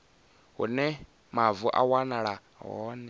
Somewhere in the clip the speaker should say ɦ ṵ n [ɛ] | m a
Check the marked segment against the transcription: correct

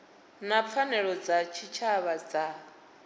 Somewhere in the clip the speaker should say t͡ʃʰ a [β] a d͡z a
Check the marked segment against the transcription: correct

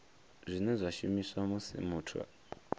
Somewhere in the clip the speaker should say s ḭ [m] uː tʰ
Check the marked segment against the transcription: correct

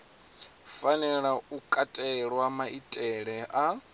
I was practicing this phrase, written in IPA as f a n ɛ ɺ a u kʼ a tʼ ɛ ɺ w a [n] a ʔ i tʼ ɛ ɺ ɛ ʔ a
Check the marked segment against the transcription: incorrect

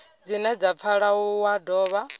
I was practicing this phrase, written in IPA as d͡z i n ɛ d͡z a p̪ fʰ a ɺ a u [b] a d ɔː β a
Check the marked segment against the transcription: incorrect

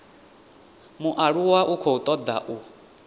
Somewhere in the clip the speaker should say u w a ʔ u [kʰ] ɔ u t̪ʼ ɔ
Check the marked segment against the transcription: correct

